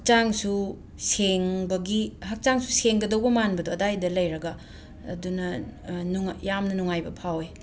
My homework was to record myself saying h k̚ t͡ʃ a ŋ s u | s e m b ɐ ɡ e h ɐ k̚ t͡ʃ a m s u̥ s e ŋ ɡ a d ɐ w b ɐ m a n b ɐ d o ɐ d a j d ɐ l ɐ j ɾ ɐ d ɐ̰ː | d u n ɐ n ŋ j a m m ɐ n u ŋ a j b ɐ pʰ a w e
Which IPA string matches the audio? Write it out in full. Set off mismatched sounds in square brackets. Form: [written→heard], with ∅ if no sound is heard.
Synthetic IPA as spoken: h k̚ t͡ʃ a ŋ s u | s e [m→ŋ] b ɐ ɡ [e→i] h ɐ k̚ t͡ʃ a [m→ŋ] s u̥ s e ŋ ɡ [a→ɐ] d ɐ w b ɐ m a n b ɐ d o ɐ d a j d ɐ l ɐ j ɾ ɐ [d→ɡ] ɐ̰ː | d u n ɐ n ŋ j a m [m→n] ɐ n u ŋ a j b ɐ pʰ a w e